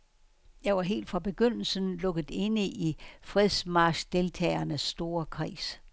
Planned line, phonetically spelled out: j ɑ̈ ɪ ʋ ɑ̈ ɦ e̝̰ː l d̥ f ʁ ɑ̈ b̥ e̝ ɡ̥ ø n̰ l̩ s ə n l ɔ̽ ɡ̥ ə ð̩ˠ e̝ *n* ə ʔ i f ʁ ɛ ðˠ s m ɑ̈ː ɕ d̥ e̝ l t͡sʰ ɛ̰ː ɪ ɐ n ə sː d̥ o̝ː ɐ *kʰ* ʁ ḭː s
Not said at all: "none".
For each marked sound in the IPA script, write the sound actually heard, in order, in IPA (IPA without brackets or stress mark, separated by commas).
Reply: n, kʰ